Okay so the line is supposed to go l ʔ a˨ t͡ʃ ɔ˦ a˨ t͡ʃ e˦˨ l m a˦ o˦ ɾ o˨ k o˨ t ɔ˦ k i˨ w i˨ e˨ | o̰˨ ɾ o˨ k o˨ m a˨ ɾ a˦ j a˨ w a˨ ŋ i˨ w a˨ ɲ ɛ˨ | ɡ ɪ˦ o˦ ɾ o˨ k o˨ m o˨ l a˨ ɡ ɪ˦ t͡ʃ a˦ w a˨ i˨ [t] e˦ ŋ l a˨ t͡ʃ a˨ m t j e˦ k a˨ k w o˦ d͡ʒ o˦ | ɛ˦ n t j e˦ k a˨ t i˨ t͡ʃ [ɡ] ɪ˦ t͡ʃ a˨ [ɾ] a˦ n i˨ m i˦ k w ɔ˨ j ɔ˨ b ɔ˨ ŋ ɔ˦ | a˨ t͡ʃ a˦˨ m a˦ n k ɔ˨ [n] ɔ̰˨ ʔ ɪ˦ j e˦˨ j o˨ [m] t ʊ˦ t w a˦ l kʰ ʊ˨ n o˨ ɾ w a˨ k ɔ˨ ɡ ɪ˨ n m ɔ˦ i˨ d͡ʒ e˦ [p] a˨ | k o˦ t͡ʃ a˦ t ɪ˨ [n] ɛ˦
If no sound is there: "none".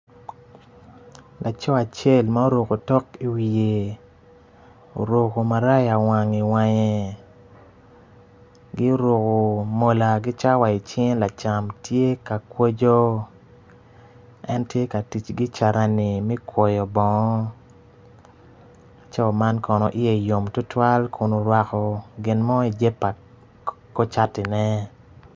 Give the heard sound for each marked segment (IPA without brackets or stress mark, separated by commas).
t͡ʃ, ɡ, ɾ, n, m, p, n